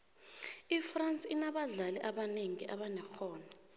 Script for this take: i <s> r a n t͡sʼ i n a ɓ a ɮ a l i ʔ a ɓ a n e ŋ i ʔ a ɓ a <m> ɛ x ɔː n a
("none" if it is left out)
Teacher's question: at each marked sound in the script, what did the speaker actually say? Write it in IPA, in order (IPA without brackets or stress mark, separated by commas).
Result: f, n